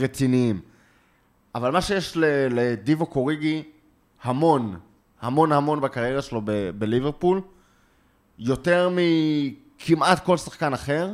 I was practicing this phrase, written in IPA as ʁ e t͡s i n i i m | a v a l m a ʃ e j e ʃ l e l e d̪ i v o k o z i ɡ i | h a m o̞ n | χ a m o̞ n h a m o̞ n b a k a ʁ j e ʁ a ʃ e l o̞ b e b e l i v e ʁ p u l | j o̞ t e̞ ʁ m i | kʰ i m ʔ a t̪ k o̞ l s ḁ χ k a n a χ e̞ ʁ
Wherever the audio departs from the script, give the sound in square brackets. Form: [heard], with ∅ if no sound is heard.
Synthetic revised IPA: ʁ e t͡s i n i i m | a v a l m a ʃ e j e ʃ l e l e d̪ i v o k o [ʁ] i ɡ i | h a m o̞ n | [h] a m o̞ n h a m o̞ n b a k a ʁ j e ʁ a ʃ e l o̞ b e b e l i v e ʁ p u l | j o̞ t e̞ ʁ m i | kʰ i m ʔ a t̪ k o̞ l s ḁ χ k a n a χ e̞ ʁ